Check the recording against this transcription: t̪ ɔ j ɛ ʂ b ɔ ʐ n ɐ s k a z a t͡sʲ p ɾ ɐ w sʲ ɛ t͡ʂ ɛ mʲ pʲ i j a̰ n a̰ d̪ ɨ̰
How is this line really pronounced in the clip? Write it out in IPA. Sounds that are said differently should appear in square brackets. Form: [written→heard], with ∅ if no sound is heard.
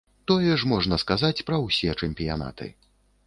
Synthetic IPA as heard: t̪ ɔ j ɛ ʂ [b→m] ɔ ʐ n ɐ s k a z a t͡sʲ p ɾ ɐ w sʲ ɛ t͡ʂ ɛ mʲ pʲ i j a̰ n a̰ [d̪→t̪] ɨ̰